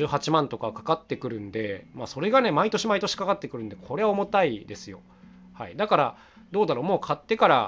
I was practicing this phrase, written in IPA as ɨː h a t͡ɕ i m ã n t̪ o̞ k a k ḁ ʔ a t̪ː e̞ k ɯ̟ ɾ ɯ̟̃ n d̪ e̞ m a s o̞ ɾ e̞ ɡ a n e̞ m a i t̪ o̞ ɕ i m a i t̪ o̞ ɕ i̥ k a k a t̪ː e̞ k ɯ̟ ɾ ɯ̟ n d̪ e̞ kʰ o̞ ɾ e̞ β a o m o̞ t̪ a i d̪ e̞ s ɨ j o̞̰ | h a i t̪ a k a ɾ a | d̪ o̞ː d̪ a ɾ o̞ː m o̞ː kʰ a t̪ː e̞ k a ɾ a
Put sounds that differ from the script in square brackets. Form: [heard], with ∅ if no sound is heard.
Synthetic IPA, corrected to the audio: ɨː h a t͡ɕ i m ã n t̪ o̞ k a k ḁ [k] a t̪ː e̞ k ɯ̟ ɾ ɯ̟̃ n d̪ e̞ m a s o̞ ɾ e̞ ɡ a n e̞ m a i t̪ o̞ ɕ i m a i t̪ o̞ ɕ i̥ k a k a t̪ː e̞ k ɯ̟ ɾ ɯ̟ n d̪ e̞ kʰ o̞ ɾ e̞ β a o m o̞ t̪ a i d̪ e̞ s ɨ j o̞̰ | h a i [d̪] a k a ɾ a | d̪ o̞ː d̪ a ɾ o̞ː m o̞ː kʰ a t̪ː e̞ k a ɾ a